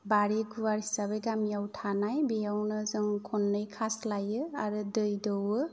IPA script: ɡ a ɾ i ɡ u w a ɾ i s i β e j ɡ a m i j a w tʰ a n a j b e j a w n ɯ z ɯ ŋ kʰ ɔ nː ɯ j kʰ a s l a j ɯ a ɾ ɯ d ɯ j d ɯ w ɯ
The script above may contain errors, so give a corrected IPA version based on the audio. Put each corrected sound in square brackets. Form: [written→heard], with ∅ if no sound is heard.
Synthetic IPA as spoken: [ɡ→b] a ɾ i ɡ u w a ɾ i s [i→a] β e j ɡ a m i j a w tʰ a n a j b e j a w n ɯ z ɯ ŋ kʰ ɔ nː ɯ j kʰ a s l a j ɯ a ɾ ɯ d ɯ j d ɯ w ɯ